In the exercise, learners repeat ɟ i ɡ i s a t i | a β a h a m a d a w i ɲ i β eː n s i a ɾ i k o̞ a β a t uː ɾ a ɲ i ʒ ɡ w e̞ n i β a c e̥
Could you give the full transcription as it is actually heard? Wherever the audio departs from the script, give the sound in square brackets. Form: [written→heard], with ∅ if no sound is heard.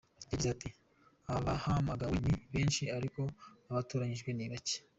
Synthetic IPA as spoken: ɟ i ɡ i [s→z] a t i | a β a h a m a [d→ɡ] a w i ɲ i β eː n [s→ʃ] i a ɾ i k o̞ a β a t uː ɾ a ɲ i ʒ ɡ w e̞ n i β a c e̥